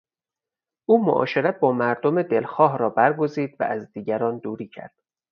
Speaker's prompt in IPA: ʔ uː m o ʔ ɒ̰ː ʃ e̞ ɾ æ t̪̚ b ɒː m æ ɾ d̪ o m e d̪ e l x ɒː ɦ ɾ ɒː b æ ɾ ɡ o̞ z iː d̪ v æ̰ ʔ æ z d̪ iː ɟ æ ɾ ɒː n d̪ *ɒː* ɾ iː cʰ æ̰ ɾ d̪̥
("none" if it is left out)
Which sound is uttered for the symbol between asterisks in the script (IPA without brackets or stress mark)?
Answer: uː